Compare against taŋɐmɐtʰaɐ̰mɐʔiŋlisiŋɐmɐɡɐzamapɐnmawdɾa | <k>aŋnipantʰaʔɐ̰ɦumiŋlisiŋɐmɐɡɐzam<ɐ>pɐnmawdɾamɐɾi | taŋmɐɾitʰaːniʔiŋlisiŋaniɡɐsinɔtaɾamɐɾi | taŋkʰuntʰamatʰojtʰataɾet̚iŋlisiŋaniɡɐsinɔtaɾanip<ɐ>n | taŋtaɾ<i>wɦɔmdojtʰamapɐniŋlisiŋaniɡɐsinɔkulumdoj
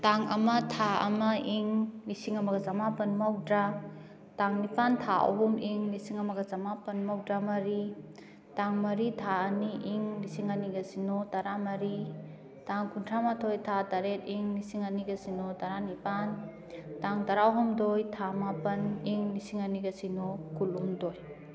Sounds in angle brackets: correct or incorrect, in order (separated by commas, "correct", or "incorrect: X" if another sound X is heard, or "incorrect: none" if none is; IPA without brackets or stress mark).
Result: incorrect: t, incorrect: a, incorrect: a, incorrect: a